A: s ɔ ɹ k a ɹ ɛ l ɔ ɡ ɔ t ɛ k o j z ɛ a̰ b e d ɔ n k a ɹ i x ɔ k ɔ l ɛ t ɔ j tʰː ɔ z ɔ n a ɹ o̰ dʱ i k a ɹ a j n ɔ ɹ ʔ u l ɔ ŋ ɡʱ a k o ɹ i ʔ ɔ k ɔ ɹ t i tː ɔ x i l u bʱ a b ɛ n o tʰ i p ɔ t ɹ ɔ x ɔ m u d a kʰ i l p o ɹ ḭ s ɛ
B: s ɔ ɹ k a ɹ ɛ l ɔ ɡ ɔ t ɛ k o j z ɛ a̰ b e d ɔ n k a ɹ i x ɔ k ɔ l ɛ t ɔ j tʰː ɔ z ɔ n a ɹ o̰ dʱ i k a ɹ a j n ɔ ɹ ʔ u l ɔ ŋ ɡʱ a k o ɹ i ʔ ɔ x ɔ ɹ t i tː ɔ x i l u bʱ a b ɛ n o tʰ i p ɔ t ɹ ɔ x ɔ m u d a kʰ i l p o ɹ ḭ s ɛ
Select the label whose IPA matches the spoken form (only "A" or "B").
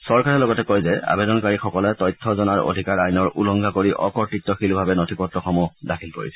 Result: A